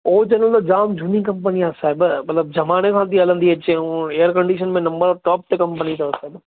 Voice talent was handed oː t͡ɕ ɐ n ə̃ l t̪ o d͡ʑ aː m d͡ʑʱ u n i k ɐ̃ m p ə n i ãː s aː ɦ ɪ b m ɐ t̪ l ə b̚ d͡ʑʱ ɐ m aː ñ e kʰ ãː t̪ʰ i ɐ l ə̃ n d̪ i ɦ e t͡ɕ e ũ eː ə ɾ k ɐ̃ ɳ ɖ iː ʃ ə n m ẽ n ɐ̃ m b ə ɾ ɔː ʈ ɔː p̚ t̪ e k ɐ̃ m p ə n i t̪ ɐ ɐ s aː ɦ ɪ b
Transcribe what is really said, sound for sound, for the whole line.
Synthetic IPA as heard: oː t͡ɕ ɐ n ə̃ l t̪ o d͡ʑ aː m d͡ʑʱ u n i k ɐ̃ m p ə n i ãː s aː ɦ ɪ b m ɐ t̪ l ə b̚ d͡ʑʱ ɐ m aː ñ e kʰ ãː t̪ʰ i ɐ l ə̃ n d̪ i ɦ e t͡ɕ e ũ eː ə ɾ k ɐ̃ ɳ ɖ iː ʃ ə n m ẽ n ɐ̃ m b ə ɾ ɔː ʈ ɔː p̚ t̪ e k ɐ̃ m p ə n i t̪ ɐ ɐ s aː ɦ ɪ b